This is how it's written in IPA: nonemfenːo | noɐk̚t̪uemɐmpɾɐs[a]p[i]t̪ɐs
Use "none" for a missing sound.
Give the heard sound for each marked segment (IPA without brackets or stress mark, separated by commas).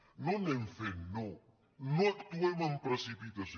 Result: i, i